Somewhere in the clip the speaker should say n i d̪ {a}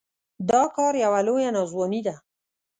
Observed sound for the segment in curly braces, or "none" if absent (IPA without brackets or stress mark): a